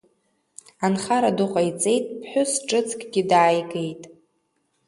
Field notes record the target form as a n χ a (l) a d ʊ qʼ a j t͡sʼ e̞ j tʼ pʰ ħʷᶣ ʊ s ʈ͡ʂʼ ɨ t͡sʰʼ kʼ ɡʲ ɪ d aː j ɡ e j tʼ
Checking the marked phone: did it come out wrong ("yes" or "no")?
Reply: yes